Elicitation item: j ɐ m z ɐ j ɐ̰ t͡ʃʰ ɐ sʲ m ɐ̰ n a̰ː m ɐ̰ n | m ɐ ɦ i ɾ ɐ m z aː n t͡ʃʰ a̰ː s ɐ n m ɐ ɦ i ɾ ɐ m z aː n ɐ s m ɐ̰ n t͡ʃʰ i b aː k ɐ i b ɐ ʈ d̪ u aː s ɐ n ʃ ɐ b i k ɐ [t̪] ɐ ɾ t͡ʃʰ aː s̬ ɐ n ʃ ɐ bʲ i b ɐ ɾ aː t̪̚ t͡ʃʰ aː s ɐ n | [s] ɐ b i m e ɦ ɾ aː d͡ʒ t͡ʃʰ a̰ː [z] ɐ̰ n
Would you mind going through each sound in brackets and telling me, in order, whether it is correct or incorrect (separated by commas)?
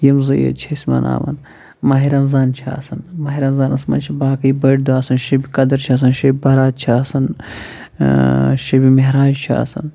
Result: incorrect, incorrect, incorrect